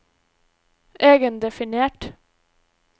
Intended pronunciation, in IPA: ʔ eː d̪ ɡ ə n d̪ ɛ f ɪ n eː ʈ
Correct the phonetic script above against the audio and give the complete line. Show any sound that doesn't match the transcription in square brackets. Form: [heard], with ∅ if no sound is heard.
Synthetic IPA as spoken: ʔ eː [∅] ɡ ə n d̪ ɛ f ɪ n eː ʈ